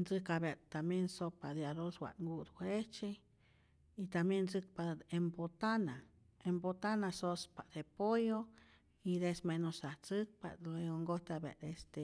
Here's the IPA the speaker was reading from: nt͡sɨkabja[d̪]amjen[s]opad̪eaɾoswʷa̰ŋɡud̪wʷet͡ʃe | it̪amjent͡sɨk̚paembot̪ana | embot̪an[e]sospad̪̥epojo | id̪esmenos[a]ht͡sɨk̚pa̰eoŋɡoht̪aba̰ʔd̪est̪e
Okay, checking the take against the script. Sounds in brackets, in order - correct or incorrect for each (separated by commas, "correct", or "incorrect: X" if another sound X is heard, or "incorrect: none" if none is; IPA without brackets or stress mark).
incorrect: t̪, correct, incorrect: a, correct